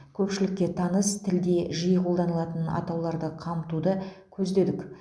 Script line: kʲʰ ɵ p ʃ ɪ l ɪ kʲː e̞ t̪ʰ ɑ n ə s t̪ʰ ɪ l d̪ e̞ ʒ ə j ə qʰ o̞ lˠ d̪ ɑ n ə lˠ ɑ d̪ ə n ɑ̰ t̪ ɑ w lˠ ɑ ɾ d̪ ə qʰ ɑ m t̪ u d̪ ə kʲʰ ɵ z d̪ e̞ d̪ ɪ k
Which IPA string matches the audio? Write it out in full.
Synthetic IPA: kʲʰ ɵ p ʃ ɪ l ɪ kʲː e̞ t̪ʰ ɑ n ə s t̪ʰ ɪ l d̪ e̞ ʒ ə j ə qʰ o̞ lˠ d̪ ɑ n ə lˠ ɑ t̪ ə n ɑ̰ t̪ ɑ w lˠ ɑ ɾ d̪ ə qʰ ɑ m t̪ u d̪ ə kʲʰ ɵ z d̪ e̞ d̪ ɪ k